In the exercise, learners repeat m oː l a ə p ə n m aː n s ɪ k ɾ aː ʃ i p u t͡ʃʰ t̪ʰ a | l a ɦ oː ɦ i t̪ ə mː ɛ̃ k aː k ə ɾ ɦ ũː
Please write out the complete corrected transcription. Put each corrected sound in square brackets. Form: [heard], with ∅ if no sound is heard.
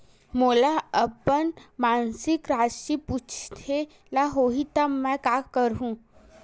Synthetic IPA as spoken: m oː l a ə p ə n m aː n s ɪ k ɾ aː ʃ i p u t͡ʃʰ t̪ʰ [e] | l a ɦ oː ɦ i t̪ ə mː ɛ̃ k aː k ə ɾ ɦ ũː